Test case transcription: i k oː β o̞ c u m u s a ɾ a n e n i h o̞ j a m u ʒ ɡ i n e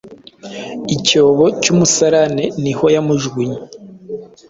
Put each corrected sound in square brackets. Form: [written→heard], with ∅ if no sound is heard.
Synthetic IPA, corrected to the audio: i [k→c] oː β o̞ c u m u s a ɾ a n e n i h o̞ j a m u ʒ ɡ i [n→ɲ] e